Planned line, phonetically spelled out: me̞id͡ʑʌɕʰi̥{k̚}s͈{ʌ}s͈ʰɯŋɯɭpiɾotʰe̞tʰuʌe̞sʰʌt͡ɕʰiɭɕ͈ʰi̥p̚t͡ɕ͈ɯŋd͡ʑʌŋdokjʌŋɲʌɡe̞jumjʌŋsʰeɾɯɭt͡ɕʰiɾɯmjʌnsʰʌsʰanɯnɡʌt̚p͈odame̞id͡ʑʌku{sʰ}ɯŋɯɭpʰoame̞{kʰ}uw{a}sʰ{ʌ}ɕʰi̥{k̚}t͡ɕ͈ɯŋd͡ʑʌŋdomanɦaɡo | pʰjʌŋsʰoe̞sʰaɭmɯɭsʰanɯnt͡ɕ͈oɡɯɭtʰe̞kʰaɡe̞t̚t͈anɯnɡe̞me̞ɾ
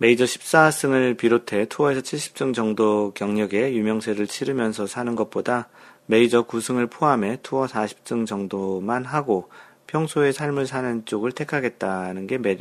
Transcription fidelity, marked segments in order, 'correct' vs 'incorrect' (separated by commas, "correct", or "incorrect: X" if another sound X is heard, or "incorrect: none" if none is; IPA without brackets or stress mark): incorrect: p̚, incorrect: a, correct, incorrect: tʰ, incorrect: ʌ, incorrect: a, incorrect: p̚